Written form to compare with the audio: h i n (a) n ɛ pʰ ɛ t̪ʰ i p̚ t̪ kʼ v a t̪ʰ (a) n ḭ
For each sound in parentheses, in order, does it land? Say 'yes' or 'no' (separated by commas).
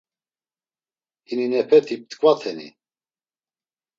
no, no